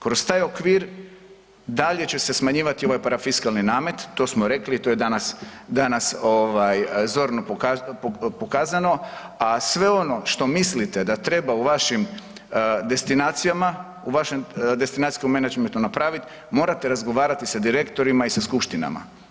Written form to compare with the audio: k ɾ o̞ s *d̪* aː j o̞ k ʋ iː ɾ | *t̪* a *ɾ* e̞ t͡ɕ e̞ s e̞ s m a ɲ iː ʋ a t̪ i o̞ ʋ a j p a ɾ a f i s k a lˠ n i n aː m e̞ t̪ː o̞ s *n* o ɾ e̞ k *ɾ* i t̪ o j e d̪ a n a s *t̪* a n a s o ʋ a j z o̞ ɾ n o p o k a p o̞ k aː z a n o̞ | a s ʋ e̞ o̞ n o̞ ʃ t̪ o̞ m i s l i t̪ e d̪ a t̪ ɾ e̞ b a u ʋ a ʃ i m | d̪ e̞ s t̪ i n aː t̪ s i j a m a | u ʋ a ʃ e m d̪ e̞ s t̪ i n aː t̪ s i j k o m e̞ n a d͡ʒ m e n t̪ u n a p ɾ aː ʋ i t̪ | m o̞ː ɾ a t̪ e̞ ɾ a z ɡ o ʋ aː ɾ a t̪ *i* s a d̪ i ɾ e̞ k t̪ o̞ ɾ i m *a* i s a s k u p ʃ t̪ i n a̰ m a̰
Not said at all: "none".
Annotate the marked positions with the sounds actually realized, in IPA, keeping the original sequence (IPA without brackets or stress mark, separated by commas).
t̪, d̪, ʎ, m, l, d̪, i, a